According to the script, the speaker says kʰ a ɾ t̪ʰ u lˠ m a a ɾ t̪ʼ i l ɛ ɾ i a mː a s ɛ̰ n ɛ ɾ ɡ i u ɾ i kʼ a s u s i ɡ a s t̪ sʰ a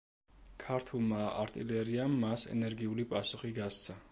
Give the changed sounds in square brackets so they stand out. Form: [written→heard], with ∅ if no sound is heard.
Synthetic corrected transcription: kʰ a ɾ t̪ʰ u lˠ m a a ɾ t̪ʼ i l ɛ ɾ i a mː a s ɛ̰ n ɛ ɾ ɡ i u [ɾ→l] i [kʼ→pʼ] a s u [s→χ] i ɡ a s t̪ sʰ a

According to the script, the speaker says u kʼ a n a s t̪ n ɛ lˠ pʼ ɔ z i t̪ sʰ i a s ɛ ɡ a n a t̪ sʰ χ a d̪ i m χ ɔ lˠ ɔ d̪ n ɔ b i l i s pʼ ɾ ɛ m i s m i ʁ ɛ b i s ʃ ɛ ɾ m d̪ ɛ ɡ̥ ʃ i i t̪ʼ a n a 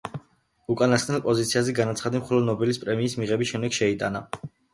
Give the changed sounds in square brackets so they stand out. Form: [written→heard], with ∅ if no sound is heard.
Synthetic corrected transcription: u kʼ a n a s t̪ n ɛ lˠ pʼ ɔ z i t̪ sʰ i a [s→z] ɛ ɡ a n a t̪ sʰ χ a d̪ i m χ ɔ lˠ ɔ d̪ n ɔ b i l i s pʼ ɾ ɛ m [i→iː] s m i ʁ ɛ b i s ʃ ɛ [ɾ→∅] m d̪ ɛ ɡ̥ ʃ [i→ɛ] i t̪ʼ a n a

